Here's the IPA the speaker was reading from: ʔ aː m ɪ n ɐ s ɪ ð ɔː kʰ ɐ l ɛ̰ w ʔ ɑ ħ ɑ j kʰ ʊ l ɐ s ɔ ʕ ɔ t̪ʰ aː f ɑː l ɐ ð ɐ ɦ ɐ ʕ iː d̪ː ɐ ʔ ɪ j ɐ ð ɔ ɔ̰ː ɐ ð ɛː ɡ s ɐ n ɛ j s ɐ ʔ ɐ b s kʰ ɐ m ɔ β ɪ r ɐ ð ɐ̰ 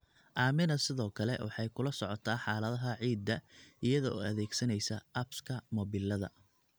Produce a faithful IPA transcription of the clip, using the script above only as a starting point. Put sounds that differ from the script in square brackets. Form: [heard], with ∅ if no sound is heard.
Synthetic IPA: ʔ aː m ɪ n ɐ s ɪ ð ɔː kʰ ɐ l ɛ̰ w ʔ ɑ ħ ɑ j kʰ ʊ l ɐ s ɔ ʕ ɔ t̪ʰ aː [ħ] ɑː l ɐ ð ɐ ɦ ɐ ʕ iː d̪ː ɐ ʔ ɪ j ɐ ð ɔ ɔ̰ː ɐ ð ɛː ɡ s ɐ n ɛ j s ɐ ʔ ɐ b s kʰ ɐ m ɔ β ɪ [l] ɐ ð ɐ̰